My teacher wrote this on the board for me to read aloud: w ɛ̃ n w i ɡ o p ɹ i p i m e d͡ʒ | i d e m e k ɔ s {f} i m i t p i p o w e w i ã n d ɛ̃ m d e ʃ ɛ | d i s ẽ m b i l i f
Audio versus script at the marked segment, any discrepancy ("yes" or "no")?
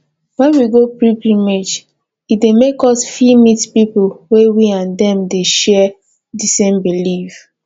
no